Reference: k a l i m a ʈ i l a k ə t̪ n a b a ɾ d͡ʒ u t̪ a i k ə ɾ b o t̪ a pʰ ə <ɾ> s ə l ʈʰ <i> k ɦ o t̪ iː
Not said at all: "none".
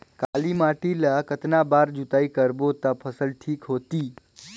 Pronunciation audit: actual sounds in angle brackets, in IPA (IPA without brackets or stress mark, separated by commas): none, iː